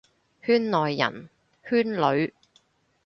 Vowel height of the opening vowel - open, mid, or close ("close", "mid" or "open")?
close